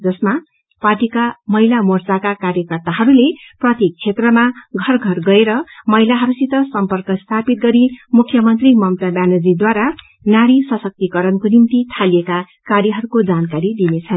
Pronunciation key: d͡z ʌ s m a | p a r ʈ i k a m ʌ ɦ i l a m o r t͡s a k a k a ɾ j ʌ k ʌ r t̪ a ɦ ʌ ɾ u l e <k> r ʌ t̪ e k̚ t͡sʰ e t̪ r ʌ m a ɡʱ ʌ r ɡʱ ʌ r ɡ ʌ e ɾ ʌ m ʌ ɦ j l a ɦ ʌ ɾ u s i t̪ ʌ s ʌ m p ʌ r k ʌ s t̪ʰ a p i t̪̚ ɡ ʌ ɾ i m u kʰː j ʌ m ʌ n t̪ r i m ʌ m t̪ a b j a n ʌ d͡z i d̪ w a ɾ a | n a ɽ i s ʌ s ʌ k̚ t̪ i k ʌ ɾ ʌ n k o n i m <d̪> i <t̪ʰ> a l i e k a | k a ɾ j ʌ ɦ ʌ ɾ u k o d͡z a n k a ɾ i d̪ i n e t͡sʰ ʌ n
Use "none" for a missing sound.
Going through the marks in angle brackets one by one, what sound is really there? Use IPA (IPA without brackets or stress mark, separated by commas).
p, t̪, t̪ʰ